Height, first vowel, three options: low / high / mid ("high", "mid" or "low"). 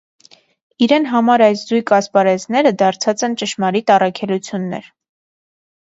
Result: high